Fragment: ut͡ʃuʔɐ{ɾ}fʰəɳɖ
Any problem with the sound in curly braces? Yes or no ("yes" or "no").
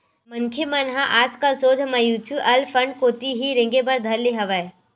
yes